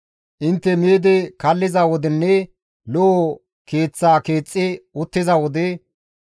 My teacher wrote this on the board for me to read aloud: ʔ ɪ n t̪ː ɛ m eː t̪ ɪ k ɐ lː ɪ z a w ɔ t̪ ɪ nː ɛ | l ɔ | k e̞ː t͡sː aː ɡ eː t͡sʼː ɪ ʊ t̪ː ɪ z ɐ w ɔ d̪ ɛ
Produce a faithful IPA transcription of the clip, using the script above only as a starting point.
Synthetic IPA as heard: ʔ ɪ n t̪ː ɛ m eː d̪ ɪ k ɐ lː ɪ z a w ɔ d̪ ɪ nː ɛ | l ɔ | k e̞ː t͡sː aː k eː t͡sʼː ɪ ʊ t̪ː ɪ z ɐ w ɔ d̪ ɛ